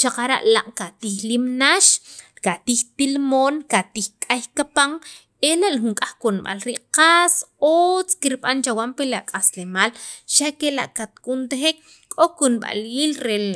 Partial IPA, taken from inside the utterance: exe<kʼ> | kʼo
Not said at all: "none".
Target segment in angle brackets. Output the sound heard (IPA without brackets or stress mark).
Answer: k